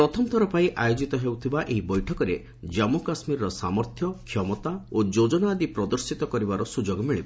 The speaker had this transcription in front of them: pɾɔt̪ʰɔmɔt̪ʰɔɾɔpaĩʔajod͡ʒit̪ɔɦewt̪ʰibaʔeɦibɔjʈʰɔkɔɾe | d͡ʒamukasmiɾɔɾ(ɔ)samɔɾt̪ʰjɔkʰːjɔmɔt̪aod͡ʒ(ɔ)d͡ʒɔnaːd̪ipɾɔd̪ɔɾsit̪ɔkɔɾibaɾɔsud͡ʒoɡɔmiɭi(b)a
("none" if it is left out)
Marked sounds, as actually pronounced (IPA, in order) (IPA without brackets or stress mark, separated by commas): ɔ, o, b